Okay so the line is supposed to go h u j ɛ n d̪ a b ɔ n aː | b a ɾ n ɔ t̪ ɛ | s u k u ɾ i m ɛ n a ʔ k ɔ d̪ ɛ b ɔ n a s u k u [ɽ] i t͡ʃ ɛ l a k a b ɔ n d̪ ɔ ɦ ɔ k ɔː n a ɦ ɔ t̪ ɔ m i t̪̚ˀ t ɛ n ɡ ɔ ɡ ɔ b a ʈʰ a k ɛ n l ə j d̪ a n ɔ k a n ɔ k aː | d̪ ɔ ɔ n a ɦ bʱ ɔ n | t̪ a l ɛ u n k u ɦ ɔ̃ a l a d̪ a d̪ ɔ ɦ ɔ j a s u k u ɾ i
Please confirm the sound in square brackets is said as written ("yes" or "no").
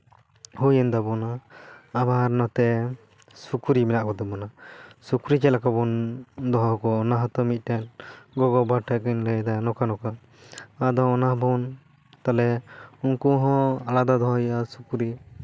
no